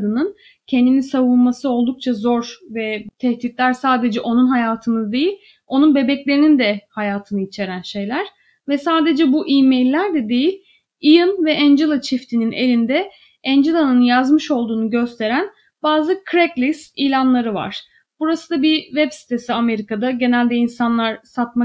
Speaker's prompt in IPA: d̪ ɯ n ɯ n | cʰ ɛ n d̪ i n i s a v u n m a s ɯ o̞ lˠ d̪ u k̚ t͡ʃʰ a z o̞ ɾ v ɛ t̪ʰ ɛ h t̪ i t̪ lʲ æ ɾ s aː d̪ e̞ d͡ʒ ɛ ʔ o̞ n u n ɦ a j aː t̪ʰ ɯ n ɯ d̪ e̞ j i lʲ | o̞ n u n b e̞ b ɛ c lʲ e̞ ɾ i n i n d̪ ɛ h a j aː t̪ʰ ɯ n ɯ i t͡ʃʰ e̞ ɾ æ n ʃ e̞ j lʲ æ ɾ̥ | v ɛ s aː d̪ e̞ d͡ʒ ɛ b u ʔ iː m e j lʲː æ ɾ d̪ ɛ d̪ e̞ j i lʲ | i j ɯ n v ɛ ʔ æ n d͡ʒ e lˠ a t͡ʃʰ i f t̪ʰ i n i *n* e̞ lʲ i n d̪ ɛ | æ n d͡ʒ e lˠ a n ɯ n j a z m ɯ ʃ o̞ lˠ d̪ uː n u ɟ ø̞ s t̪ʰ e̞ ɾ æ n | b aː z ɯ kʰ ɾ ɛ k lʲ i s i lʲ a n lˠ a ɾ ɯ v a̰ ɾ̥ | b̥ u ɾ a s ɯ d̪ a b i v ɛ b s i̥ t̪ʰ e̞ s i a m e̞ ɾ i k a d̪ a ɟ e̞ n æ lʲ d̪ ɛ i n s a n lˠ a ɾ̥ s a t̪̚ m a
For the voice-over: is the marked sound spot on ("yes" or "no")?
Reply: yes